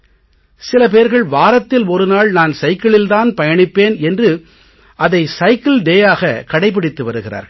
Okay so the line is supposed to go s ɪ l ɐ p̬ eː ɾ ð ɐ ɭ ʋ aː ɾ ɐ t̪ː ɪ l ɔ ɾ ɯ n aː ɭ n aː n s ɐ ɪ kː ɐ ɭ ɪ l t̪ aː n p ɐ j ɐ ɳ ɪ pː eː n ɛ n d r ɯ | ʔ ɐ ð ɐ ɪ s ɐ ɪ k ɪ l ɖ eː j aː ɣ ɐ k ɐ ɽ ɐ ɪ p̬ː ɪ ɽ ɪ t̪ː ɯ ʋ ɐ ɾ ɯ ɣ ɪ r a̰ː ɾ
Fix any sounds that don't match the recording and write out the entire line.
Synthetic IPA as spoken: s ɪ l ɐ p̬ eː ɾ ɣ ɐ ɭ ʋ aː ɾ ɐ t̪ː ɪ l ɔ ɾ ɯ n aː ɭ n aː n s ɐ ɪ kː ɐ ɭ ɪ l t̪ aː n p ɐ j ɐ ɳ ɪ pː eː n ɛ n d r ɯ | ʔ ɐ ð ɐ ɪ s ɐ ɪ k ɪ l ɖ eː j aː ɣ ɐ k ɐ ɽ ɐ ɪ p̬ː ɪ ɽ ɪ t̪ː ɯ ʋ ɐ ɾ ɯ ɣ ɪ r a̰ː ɾ